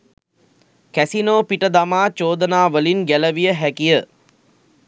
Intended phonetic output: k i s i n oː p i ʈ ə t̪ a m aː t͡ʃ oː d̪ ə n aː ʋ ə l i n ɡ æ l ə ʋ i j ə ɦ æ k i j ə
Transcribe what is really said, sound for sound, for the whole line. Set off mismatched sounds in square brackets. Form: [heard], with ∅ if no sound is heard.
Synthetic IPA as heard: k [æ] s i n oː p i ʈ ə [d̪] a m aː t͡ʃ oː d̪ ə n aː ʋ ə l i n ɡ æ l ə ʋ i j ə ɦ æ k i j ə